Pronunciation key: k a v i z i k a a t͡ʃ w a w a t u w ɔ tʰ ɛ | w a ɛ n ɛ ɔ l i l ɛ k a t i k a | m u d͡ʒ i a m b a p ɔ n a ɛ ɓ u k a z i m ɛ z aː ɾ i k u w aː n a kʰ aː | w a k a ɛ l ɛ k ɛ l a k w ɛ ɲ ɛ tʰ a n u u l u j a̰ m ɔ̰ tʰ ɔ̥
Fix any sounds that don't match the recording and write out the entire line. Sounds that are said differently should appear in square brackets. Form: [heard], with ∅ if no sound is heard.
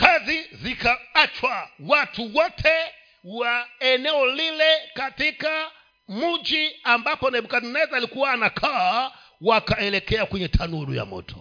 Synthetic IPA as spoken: k a [z] i z i k a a t͡ʃ w a w a t u w ɔ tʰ ɛ | w a ɛ n ɛ ɔ l i l ɛ k a t i k a | m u d͡ʒ i a m b a p ɔ n a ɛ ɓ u k a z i [n] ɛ z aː [l] i k u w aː n a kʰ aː | w a k a ɛ l ɛ k ɛ [∅] a k w ɛ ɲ ɛ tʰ a n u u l u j a̰ m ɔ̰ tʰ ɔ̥